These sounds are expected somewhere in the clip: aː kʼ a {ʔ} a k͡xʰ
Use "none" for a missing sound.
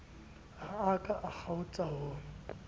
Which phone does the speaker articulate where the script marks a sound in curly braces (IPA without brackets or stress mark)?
ʔ